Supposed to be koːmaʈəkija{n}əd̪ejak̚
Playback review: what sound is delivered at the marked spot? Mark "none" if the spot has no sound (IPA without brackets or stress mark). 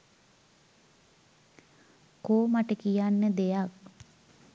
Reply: nː